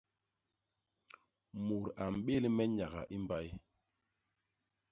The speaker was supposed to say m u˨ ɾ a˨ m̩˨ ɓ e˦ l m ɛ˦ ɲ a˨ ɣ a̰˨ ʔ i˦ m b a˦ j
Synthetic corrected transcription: m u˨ ɾ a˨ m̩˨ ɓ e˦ l m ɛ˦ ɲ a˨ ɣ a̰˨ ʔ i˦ m b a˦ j